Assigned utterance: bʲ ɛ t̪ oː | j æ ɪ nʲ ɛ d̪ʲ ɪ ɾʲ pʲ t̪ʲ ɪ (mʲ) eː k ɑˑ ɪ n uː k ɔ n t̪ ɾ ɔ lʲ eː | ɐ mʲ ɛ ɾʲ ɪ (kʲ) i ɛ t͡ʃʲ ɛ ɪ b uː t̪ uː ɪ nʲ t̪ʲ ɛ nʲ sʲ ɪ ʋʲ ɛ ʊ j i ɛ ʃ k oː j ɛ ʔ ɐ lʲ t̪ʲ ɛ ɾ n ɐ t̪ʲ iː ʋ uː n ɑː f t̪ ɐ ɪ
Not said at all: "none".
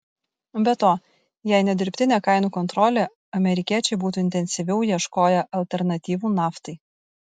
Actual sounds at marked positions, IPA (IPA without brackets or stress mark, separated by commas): nʲ, kʲ